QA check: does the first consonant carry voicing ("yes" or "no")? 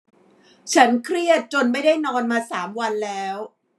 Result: no